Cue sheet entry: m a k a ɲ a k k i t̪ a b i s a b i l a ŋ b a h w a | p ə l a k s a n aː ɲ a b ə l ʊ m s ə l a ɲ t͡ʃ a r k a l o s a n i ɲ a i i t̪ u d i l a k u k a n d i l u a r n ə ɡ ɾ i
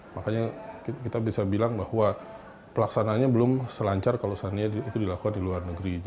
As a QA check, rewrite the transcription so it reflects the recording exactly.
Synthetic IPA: m a k a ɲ a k k i t̪ a b i s a b i l a ŋ b a h w a | p ə l a k s a n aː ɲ a b ə l ʊ m s ə l a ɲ t͡ʃ a r k a l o s a n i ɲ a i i t̪ u d i l a k u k a n d i l u a r n ə ɡ ɾ i